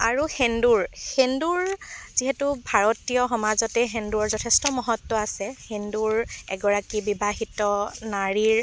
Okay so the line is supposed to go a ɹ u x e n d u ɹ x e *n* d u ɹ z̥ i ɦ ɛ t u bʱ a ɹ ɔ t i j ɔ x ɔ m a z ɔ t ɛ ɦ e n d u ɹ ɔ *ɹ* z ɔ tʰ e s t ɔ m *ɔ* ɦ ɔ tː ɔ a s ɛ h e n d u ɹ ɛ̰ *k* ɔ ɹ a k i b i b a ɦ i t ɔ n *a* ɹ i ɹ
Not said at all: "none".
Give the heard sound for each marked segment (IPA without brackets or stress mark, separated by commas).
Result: n, ɹ, ɔ, ɡ, a